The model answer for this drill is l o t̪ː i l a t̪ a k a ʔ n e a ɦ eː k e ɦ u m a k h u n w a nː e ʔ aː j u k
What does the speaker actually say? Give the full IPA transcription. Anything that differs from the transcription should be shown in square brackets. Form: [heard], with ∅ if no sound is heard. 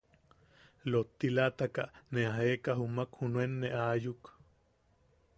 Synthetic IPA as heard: l o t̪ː i l a t̪ a k a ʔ n e a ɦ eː k [a] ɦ u m a k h u n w [e] nː e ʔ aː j u k